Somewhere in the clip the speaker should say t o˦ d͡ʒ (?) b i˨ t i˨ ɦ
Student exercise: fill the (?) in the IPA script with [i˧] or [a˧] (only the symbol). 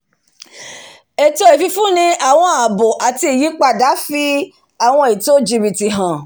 i˧